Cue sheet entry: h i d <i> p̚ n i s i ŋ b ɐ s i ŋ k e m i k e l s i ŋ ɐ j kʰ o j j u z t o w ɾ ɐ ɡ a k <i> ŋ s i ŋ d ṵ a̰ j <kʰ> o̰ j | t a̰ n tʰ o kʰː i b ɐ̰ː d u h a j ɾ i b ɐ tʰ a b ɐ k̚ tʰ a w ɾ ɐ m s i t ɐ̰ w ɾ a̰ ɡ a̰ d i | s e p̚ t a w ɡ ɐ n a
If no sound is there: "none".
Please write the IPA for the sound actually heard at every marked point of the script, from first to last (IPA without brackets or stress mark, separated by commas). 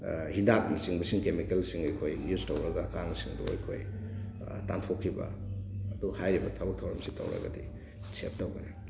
a, a, kʰ